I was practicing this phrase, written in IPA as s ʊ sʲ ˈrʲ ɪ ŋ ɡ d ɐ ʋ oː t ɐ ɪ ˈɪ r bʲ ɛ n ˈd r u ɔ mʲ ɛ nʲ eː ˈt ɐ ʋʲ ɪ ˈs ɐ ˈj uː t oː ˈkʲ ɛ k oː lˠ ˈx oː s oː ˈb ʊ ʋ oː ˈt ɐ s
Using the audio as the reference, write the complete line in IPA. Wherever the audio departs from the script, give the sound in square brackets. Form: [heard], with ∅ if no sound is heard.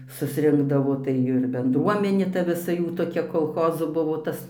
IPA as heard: s ʊ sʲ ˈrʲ ɪ ŋ ɡ d ɐ ʋ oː t ɐ ɪ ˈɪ r bʲ ɛ n ˈd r u ɔ mʲ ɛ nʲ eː ˈt ɐ ʋʲ ɪ ˈs ɐ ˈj uː t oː ˈkʲ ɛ k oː lˠ ˈx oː [z] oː ˈb ʊ ʋ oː ˈt ɐ s